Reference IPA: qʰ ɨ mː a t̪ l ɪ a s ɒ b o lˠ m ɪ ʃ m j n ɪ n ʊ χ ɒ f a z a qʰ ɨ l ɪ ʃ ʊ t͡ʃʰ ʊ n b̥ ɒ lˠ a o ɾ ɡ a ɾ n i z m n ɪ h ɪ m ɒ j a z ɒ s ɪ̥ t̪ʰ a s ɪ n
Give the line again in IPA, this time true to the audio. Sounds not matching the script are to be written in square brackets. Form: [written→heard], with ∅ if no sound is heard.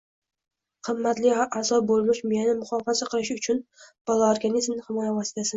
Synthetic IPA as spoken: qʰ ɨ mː a t̪ l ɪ a [s→z] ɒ b o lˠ m ɪ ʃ m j n ɪ [n→m] ʊ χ ɒ f a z a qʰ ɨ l ɪ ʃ ʊ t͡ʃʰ ʊ n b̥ ɒ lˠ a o ɾ ɡ a [ɾ→∅] n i z m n ɪ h ɪ m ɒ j a [z→v] ɒ s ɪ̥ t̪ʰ a s ɪ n